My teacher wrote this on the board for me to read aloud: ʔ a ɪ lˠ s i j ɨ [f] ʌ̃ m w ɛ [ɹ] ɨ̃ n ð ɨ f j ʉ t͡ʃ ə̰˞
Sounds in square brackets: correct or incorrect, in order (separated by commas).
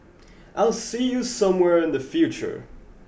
incorrect, correct